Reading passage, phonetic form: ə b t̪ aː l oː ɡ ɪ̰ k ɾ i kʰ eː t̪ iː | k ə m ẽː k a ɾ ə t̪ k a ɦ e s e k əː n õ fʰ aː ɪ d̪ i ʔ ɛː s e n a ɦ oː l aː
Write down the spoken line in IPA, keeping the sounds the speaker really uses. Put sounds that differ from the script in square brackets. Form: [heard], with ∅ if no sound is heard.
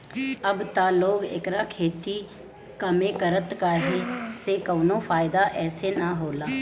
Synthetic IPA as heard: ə b t̪ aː l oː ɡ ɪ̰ k ɾ [a] kʰ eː t̪ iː | k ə m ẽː k [ə] ɾ ə t̪ k a ɦ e s e k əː n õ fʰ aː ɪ d̪ [a] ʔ ɛː s e n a ɦ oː l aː